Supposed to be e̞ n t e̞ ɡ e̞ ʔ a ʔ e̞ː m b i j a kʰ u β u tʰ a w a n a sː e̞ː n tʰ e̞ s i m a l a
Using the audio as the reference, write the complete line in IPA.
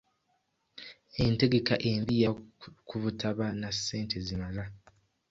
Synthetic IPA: e̞ n t e̞ ɡ e̞ k a ʔ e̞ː m b i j a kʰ u β u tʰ a β a n a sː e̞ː n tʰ e̞ z i m a l a